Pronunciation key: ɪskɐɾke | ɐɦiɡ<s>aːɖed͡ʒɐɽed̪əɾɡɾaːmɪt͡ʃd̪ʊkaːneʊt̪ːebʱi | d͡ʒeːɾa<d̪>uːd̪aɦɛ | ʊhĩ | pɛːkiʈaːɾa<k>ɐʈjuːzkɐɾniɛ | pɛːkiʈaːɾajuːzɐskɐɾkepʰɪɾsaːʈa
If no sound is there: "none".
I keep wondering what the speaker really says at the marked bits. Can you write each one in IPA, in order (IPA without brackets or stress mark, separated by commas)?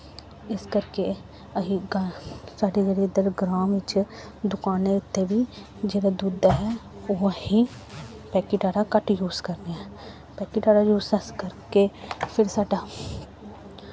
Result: s, d̪, k